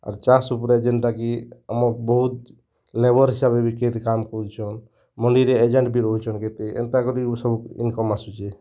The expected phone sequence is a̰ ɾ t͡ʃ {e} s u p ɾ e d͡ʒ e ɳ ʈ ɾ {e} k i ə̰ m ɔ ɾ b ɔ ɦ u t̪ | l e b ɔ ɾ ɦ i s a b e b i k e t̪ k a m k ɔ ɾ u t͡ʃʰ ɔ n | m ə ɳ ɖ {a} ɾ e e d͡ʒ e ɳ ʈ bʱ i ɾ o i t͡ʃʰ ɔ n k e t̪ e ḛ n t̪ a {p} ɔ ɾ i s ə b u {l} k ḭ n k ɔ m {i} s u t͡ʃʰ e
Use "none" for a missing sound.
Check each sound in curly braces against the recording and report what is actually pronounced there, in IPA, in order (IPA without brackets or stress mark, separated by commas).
a, a, i, k, none, a